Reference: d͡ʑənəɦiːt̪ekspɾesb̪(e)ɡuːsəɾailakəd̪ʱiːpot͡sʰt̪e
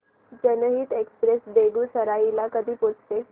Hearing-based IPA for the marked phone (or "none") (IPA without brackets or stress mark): e